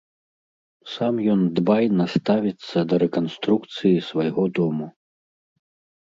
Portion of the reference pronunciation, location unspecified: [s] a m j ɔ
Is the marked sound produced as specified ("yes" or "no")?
yes